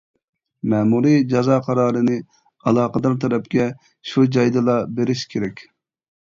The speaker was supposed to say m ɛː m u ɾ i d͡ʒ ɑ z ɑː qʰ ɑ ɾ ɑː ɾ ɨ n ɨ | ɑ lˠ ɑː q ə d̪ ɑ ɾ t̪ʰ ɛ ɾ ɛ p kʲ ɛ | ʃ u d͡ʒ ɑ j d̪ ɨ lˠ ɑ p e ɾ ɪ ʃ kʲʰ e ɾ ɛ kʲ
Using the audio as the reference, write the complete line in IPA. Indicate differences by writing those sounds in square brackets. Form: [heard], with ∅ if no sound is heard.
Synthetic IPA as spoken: m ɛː m u ɾ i d͡ʒ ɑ z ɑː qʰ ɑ ɾ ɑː ɾ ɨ n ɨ | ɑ lˠ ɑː q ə d̪ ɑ ɾ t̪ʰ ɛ ɾ ɛ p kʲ ɛ | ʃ u d͡ʒ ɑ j d̪ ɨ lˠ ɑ [b] e ɾ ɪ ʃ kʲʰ e ɾ ɛ kʲ